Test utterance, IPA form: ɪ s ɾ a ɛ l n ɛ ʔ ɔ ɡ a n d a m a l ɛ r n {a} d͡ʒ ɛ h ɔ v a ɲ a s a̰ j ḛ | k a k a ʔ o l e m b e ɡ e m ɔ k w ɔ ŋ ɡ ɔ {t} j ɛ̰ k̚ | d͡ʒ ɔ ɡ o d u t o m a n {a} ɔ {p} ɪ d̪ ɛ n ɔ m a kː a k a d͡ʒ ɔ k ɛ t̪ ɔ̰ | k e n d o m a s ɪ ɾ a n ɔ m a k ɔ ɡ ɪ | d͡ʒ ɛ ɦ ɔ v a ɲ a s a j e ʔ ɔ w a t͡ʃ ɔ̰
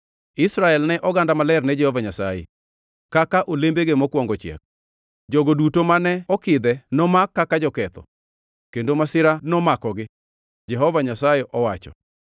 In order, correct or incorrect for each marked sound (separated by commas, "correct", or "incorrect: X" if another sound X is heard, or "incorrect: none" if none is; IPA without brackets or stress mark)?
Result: incorrect: ɛ, incorrect: t͡ʃ, incorrect: ɛ, incorrect: k